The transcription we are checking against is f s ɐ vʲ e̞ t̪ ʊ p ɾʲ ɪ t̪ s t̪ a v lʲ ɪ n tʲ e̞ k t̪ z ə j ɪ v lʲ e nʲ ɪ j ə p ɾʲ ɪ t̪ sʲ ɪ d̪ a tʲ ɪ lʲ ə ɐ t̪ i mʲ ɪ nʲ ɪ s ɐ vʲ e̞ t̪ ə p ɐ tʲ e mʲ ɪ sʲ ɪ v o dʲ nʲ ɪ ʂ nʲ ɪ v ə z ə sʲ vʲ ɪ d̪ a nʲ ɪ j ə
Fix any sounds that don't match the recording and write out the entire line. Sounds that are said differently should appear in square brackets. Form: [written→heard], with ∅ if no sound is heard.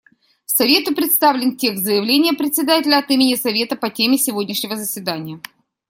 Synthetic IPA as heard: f s ɐ vʲ e̞ t̪ ʊ p ɾʲ ɪ t̪ s t̪ a v lʲ ɪ n tʲ e̞ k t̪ z ə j ɪ v lʲ e nʲ ɪ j ə p ɾʲ ɪ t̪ sʲ ɪ d̪ a tʲ ɪ lʲ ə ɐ t̪ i mʲ ɪ nʲ ɪ s ɐ vʲ e̞ t̪ ə p ɐ tʲ e mʲ ɪ sʲ ɪ v o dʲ nʲ ɪ ʂ nʲ ɪ v ə z ə sʲ vʲ ɪ d̪ a nʲ ɪ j ə

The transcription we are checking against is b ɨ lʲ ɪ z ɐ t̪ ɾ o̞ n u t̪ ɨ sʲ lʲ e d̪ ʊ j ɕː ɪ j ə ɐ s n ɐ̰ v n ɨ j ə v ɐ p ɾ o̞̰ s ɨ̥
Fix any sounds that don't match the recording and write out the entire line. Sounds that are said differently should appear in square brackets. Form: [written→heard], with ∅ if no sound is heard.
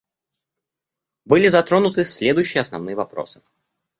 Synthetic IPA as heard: b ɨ lʲ ɪ z ɐ t̪ ɾ o̞ n [u→ʊ] t̪ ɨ sʲ lʲ e d̪ ʊ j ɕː ɪ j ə ɐ s n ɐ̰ v n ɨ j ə v ɐ p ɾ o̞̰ s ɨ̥

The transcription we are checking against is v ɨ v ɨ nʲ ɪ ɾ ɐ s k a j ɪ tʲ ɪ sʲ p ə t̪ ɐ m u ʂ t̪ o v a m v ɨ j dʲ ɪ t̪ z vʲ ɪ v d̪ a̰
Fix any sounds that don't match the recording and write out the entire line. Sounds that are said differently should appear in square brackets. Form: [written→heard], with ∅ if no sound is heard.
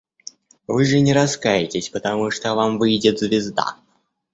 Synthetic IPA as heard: v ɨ [v→ʐ] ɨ nʲ ɪ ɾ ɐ s k a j ɪ tʲ ɪ sʲ p ə t̪ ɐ m u ʂ t̪ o v a m v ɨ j dʲ ɪ t̪ z vʲ ɪ [v→z] d̪ a̰

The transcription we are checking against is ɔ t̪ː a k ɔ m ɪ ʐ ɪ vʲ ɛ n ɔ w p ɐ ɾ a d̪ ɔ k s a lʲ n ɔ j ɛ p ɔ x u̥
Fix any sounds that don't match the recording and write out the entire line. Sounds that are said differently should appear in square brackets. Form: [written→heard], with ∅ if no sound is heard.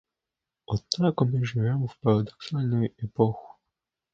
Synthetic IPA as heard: ɔ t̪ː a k ɔ m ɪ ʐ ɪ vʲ ɛ [n→m] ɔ w p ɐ ɾ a d̪ ɔ k s a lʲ n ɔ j ɛ p ɔ x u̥

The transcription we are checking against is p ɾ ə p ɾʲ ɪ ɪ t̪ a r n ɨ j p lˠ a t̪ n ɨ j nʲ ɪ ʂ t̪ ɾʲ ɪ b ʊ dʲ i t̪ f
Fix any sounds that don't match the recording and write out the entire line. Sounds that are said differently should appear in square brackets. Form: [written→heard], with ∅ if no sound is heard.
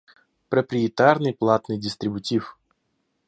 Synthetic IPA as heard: p ɾ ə p ɾʲ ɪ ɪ t̪ a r n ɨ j p lˠ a t̪ n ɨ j [nʲ→dʲ] ɪ [ʂ→s] t̪ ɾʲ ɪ b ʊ [dʲ→tʲ] i [t̪→∅] f

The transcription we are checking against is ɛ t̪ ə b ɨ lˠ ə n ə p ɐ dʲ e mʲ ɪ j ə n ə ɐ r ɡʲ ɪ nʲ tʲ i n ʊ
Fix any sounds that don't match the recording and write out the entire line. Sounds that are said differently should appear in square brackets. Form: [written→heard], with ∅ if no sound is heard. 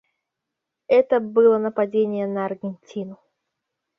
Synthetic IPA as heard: ɛ t̪ ə b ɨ lˠ ə n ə p ɐ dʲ e [mʲ→nʲ] ɪ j ə n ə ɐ r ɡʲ ɪ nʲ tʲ i n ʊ

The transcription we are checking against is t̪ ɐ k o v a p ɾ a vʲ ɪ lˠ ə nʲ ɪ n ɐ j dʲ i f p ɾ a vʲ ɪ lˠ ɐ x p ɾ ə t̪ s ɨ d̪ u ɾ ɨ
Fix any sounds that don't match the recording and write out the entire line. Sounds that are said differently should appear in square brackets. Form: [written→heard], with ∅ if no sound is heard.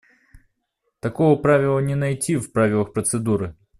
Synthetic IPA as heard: t̪ ɐ k o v [a→ə] p ɾ a vʲ ɪ lˠ ə nʲ ɪ n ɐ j [dʲ→tʲ] i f p ɾ a vʲ ɪ lˠ [ɐ→ə] x p ɾ ə t̪ s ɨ d̪ u ɾ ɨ

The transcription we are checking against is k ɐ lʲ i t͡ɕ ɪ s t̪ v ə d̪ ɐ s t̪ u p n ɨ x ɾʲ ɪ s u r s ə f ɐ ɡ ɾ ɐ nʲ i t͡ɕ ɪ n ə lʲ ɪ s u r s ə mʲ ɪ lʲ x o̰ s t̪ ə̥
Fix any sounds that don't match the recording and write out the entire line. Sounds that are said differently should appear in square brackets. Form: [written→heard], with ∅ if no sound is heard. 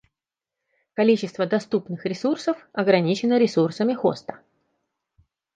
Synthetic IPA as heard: k ɐ lʲ i t͡ɕ ɪ s t̪ v ə d̪ ɐ s t̪ u p n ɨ x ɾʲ ɪ s u r s ə f ɐ ɡ ɾ ɐ nʲ i t͡ɕ ɪ n ə [lʲ→ɾʲ] ɪ s u r s ə mʲ ɪ [lʲ→∅] x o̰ s t̪ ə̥

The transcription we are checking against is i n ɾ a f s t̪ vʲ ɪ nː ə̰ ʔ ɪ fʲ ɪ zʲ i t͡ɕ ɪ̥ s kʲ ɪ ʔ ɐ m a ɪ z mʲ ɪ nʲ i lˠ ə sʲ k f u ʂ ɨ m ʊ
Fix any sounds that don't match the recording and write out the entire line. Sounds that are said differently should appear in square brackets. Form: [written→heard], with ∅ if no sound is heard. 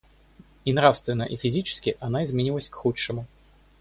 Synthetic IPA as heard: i n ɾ a f s t̪ vʲ ɪ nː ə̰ ʔ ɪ fʲ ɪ zʲ i t͡ɕ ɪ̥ s kʲ ɪ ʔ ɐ [m→n] a ɪ z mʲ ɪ nʲ i lˠ ə sʲ k [f→x] u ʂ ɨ m ʊ

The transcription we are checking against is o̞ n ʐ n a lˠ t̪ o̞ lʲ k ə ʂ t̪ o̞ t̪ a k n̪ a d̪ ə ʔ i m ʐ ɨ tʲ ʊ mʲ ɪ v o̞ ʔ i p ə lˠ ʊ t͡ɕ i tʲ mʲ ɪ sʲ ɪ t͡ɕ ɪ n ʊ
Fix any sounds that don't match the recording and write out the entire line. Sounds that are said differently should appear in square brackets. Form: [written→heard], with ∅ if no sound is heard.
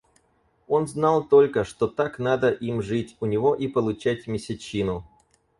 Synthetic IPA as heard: o̞ n [ʐ→z] n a lˠ t̪ o̞ lʲ k ə ʂ t̪ o̞ t̪ a k n̪ a d̪ ə ʔ i m ʐ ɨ tʲ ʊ [mʲ→nʲ] ɪ v o̞ ʔ i p ə lˠ ʊ t͡ɕ [i→æ] tʲ mʲ ɪ sʲ ɪ t͡ɕ [ɪ→i] n ʊ

